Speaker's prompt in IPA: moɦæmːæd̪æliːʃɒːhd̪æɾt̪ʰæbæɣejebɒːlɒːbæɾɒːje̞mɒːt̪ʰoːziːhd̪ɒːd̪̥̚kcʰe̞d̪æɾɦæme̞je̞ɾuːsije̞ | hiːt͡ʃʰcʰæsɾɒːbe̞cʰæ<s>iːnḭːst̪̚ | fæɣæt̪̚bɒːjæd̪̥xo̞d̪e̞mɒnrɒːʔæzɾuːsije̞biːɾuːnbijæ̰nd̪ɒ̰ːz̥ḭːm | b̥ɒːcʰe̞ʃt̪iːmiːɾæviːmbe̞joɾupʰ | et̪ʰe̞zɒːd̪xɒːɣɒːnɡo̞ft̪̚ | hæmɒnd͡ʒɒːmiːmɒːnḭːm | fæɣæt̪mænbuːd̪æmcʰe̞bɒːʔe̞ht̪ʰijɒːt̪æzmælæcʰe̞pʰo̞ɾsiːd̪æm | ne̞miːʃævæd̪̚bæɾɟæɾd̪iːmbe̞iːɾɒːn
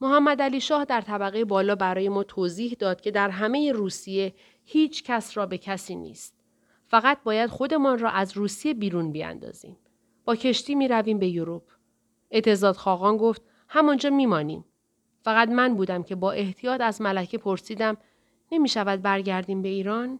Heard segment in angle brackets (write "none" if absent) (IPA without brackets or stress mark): s